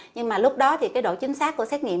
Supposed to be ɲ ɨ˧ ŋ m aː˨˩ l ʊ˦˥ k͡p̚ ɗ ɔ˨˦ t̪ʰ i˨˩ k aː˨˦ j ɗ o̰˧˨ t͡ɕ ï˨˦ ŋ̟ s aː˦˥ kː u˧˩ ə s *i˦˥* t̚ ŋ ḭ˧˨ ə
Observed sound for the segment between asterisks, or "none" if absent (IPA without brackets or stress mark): ɛ˦˥